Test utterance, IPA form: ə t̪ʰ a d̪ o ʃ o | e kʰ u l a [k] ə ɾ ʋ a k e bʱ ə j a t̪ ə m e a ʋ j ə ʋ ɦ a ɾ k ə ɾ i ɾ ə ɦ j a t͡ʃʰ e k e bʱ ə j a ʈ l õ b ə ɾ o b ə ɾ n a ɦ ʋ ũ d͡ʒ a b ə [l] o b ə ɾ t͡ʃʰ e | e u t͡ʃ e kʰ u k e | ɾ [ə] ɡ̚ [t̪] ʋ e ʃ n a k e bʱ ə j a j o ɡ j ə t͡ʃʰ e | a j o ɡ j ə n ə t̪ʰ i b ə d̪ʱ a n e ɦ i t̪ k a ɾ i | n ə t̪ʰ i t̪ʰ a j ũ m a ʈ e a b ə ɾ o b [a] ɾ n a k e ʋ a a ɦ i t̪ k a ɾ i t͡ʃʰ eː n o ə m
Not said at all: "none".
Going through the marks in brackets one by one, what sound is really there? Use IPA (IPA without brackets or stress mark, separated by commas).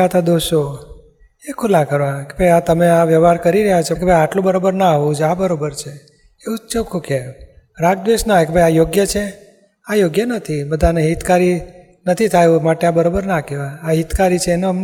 k, ɾ, a, d̪, ə